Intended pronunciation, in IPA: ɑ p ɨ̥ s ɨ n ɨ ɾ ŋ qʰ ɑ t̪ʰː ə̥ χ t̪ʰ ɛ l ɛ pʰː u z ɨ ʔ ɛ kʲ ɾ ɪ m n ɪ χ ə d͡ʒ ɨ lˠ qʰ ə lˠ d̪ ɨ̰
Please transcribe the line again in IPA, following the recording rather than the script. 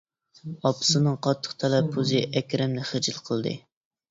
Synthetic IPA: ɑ p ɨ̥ s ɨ n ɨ ŋ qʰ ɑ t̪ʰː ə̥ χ t̪ʰ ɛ l ɛ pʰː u z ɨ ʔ ɛ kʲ ɾ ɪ m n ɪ χ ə d͡ʒ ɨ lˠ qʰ ə lˠ d̪ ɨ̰